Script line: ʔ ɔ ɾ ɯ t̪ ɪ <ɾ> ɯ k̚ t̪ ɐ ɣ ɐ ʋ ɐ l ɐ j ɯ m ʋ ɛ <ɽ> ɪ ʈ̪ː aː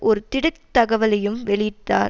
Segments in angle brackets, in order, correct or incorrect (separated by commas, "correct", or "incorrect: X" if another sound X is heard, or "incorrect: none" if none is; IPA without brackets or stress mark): incorrect: ɽ, incorrect: ɭ